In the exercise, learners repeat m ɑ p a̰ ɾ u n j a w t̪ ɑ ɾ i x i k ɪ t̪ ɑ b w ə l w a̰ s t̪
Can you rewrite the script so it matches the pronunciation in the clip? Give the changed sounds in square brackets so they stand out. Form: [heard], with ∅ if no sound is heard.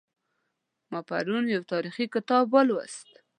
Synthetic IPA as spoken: m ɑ p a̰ ɾ u n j a w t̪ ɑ ɾ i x i k ɪ t̪ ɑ b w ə l w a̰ s t̪